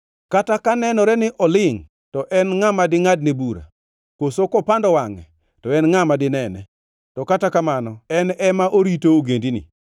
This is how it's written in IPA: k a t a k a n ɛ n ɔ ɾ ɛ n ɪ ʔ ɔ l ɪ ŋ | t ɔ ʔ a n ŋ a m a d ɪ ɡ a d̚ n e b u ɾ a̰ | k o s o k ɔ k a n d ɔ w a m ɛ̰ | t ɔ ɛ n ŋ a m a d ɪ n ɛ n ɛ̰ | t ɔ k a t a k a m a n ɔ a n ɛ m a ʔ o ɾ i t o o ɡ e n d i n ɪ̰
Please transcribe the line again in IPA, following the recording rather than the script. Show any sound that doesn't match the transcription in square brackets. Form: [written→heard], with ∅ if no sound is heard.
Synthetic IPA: k a t a k a n ɛ n ɔ ɾ ɛ n ɪ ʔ ɔ l ɪ ŋ | t ɔ ʔ [a→ɛ] n ŋ a m a d ɪ [ɡ→ŋ] a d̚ n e b u ɾ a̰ | k o s o k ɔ [k→p] a n d ɔ w a [m→ŋ] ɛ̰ | t ɔ ɛ n ŋ a m a d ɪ n ɛ n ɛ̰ | t ɔ k a t a k a m a n ɔ [a→ɛ] n ɛ m a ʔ o ɾ i t o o ɡ e n d i n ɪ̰